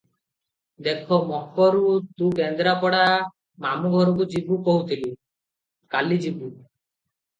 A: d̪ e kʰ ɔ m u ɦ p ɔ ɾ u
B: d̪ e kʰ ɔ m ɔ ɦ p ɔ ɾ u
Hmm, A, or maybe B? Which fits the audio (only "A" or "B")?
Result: B